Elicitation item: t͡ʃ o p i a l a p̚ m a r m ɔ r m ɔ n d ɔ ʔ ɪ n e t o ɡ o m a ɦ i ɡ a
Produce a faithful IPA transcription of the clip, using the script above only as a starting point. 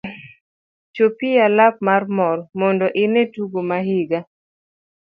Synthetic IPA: t͡ʃ o p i a l a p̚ m a r m ɔ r m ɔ n d ɔ ʔ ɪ n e t u ɡ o m a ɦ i ɡ a